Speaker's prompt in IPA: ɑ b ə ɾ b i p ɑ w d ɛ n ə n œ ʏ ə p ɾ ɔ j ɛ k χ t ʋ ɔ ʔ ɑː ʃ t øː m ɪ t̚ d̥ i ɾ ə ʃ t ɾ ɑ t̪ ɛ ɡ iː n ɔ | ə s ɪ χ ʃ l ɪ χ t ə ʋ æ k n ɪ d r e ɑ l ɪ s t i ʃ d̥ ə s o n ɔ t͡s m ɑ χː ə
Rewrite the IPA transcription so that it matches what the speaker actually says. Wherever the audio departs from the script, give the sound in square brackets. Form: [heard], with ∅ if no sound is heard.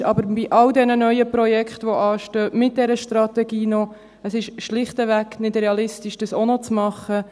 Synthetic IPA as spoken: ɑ b ə ɾ b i [ʔ] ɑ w d ɛ n ə n œ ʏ ə p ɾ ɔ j ɛ k χ t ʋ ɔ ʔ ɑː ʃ t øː m ɪ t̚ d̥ [ɛ] ɾ ə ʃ t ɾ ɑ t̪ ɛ ɡ iː n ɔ | ə s ɪ [ʃ] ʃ l ɪ χ t ə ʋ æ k n ɪ d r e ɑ l ɪ s t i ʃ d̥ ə s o n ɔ t͡s m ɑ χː ə